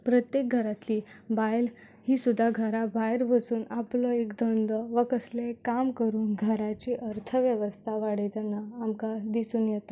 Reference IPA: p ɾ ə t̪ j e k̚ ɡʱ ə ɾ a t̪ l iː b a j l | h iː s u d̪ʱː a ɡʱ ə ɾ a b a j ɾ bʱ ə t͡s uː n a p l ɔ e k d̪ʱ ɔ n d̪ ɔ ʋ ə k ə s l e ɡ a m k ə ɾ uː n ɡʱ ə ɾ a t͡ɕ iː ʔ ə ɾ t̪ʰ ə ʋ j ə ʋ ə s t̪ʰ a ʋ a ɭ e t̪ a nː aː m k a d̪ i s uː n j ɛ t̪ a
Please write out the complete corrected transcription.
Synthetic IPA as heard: p ɾ ə t̪ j e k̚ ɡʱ ə ɾ a t̪ l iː b a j l | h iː s u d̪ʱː a ɡʱ ə ɾ a b a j ɾ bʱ ə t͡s uː n a p l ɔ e k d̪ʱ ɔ n d̪ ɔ ʋ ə k ə s l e k a m k ə ɾ uː n ɡʱ ə ɾ a t͡ɕ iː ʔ ə ɾ t̪ʰ ə ʋ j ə ʋ ə s t̪ʰ a ʋ a ɽ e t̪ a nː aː m k a d̪ i s uː n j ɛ t̪ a

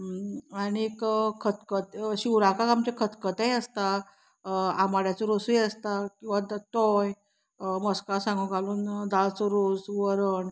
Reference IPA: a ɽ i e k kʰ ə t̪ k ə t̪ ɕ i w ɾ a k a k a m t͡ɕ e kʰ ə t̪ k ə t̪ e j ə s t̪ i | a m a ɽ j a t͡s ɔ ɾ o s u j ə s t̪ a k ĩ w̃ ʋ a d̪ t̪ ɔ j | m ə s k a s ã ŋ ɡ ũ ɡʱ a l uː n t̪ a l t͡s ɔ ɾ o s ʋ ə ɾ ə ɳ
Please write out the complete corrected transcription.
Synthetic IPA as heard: a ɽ i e k kʰ ə t̪ k ə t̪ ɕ i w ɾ a k a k a m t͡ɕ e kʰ ə t̪ k ə t̪ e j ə s t̪ a | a m a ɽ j a t͡s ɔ ɾ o s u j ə s t̪ a k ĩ w̃ ʋ a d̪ t̪ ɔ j | m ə s k a s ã ŋ ɡ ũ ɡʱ a l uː n d̪ a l t͡s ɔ ɾ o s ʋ ə ɾ ə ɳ

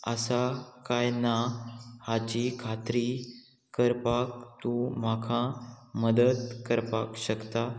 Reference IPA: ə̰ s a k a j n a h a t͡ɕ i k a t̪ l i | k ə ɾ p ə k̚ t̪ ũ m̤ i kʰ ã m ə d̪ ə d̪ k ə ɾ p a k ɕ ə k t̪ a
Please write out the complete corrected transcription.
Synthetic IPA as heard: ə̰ s a k a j n a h a t͡ɕ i kʰ a t̪ ɾ i | k ə ɾ p a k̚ t̪ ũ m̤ a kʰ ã m ə d̪ ə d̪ k ə ɾ p a k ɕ ə k t̪ a

